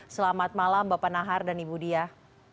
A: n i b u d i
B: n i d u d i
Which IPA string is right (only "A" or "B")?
A